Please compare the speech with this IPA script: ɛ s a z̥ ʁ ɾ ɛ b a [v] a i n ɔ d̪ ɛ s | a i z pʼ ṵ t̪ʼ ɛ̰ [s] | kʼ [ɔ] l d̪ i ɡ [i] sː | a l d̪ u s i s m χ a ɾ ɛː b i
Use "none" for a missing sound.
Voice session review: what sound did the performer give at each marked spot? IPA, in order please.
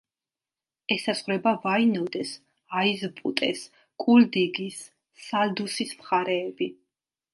v, s, u, i

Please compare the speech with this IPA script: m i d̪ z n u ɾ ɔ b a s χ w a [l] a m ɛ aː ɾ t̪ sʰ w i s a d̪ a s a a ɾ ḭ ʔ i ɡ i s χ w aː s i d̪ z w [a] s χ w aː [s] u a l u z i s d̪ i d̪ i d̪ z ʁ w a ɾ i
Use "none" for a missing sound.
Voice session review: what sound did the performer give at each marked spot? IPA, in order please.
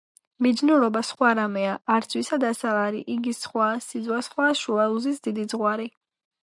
ɾ, a, ʃ

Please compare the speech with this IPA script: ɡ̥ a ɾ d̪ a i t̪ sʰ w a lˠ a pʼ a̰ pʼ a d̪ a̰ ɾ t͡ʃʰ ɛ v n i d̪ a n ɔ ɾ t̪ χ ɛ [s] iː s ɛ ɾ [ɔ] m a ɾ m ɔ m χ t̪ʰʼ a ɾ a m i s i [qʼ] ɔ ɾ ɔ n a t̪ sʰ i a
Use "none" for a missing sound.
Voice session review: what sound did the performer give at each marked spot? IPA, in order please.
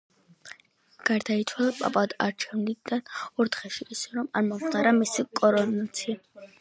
ʃ, ɔ, kʼ

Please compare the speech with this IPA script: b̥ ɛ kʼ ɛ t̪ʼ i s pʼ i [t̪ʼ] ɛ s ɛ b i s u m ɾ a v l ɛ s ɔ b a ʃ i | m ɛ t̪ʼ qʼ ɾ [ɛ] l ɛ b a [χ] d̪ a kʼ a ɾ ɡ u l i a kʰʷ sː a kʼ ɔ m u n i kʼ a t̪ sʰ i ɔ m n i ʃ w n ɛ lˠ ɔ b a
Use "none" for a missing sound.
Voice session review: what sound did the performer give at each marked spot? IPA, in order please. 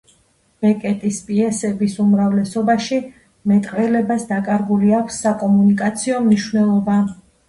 none, ɛ, s

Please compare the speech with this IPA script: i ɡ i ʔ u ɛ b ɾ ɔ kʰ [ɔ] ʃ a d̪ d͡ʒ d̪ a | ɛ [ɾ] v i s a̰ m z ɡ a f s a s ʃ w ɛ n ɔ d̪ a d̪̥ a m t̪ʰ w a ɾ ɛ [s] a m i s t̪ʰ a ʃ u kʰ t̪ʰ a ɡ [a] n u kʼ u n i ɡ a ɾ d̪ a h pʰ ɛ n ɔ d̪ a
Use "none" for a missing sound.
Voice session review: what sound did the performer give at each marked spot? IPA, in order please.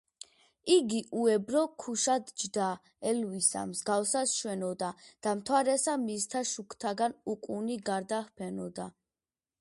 u, l, s, a

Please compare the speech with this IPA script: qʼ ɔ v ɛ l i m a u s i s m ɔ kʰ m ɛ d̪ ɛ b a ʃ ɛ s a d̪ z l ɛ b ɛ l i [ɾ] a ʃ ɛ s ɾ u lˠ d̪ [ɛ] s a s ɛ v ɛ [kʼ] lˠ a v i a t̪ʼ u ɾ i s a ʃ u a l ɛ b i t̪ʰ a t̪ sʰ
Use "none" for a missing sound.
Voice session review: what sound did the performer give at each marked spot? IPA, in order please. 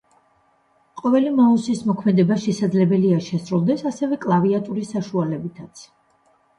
none, ɛ, kʼ

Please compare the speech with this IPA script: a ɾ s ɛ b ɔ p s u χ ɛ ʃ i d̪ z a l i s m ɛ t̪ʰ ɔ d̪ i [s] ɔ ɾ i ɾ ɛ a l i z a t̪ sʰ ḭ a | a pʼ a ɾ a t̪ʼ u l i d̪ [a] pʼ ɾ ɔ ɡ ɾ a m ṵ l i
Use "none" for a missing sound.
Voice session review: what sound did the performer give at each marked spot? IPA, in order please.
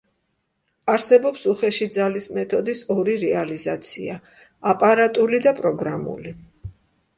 s, a

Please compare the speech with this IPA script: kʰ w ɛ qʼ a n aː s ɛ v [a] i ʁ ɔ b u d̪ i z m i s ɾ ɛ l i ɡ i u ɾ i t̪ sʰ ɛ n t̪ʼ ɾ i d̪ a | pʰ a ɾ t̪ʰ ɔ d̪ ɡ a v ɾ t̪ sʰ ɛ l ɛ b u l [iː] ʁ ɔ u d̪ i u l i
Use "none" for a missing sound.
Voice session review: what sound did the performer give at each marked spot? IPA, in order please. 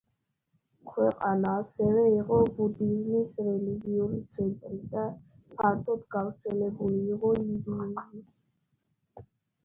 ɛ, iː

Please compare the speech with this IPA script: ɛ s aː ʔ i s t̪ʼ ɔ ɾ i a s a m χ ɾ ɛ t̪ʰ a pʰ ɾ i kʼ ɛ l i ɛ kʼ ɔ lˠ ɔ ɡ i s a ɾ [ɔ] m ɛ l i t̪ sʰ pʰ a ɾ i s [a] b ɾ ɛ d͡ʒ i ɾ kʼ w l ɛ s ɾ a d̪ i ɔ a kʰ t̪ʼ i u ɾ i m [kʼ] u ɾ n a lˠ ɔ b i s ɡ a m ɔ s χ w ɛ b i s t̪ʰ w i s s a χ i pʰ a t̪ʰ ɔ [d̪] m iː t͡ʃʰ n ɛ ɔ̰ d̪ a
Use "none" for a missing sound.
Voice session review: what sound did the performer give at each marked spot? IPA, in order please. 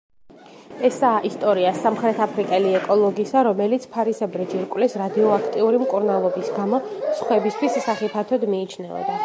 ɔ, ɛ, kʼ, d̪

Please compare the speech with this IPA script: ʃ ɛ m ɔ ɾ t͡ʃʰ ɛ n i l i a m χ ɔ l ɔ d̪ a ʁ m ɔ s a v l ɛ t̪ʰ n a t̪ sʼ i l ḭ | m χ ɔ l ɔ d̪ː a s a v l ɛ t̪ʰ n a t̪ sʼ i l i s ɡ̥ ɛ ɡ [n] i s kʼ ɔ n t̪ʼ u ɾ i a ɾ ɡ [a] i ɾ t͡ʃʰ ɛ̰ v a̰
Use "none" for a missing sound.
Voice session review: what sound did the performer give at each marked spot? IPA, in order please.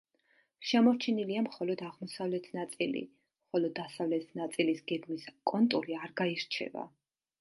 m, a

